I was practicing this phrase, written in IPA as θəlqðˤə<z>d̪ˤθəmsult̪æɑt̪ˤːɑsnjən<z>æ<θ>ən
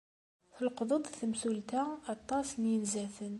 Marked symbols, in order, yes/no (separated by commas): no, yes, yes